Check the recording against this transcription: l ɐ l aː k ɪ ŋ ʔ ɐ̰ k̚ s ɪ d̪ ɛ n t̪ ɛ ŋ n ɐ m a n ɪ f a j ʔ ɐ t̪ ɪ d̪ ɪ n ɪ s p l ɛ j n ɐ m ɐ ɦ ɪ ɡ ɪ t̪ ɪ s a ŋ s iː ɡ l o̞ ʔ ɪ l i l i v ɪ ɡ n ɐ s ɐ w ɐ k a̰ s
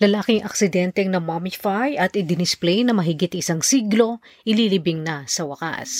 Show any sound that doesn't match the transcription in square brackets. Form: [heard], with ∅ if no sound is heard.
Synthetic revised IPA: l ɐ l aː k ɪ ŋ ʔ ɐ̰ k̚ s ɪ d̪ ɛ n t̪ ɛ ŋ n ɐ m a [m] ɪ f a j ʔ ɐ t̪ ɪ d̪ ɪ n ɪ s p l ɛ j n ɐ m ɐ ɦ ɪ ɡ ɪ t̪ ɪ s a ŋ s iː ɡ l o̞ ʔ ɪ l i l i [b] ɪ [ŋ] n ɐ s ɐ w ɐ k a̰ s